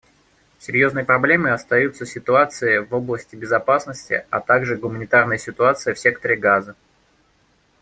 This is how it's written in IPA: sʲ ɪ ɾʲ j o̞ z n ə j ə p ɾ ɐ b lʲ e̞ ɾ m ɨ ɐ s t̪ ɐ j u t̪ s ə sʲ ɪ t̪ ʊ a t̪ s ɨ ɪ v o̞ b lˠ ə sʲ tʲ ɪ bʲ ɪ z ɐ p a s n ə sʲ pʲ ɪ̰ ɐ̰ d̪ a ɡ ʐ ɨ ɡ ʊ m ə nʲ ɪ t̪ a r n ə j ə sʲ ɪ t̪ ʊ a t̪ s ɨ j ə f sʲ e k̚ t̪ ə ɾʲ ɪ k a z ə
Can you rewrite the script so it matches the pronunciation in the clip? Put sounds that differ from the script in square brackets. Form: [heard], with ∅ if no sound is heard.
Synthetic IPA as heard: sʲ ɪ ɾʲ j o̞ z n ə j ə p ɾ ɐ b lʲ e̞ [∅] m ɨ ɐ s t̪ ɐ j u t̪ s ə sʲ ɪ t̪ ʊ a t̪ s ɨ ɪ v o̞ b lˠ ə sʲ tʲ ɪ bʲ ɪ z ɐ p a s n ə sʲ [tʲ] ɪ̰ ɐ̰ [t̪] a ɡ ʐ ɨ ɡ ʊ m ə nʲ ɪ t̪ a r n ə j ə sʲ ɪ t̪ ʊ a t̪ s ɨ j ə f sʲ e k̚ t̪ ə ɾʲ ɪ [ɡ] a z ə